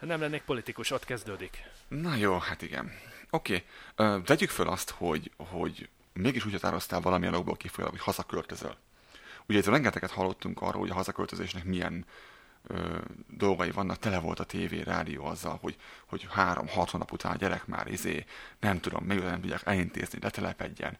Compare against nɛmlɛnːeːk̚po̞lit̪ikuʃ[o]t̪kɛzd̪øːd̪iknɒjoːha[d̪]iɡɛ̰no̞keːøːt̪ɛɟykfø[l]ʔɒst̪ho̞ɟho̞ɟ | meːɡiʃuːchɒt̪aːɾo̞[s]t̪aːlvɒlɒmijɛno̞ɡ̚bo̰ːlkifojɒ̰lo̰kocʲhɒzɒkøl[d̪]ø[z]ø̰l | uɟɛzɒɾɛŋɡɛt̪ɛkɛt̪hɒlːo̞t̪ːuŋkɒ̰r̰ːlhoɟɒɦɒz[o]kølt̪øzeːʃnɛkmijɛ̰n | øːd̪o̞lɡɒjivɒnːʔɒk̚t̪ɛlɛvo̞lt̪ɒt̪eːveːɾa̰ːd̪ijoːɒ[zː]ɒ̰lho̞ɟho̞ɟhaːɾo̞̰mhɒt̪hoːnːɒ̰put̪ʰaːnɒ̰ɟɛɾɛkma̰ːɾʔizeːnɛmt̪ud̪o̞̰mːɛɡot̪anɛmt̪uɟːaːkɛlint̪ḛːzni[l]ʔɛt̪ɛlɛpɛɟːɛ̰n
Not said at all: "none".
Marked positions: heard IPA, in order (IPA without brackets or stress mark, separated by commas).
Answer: o, t̪, l, s, t̪, z, ɒ, zː, l